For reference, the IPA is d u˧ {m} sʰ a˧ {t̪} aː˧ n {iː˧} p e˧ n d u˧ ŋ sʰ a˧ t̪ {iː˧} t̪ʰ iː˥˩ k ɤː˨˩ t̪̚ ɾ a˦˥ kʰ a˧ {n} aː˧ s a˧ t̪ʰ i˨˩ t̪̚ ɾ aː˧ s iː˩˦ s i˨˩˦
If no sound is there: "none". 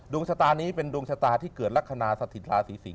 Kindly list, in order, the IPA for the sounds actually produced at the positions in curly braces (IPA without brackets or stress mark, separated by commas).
ŋ, t̪, iː˦˥, aː˧, n